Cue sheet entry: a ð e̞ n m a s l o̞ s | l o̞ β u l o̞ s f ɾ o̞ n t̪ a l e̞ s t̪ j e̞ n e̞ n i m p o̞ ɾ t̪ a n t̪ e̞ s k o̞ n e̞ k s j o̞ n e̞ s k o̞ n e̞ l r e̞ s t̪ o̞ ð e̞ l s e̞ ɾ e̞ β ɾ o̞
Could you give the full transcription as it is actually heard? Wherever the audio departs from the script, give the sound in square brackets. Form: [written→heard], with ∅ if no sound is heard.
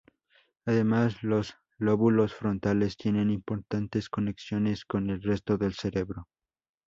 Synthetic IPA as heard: a ð e̞ [n→∅] m a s l o̞ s | l o̞ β u l o̞ s f ɾ o̞ n t̪ a l e̞ s t̪ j e̞ n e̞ n i m p o̞ ɾ t̪ a n t̪ e̞ s k o̞ n e̞ k s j o̞ n e̞ s k o̞ n e̞ l r e̞ s t̪ o̞ ð e̞ l s e̞ ɾ e̞ β ɾ o̞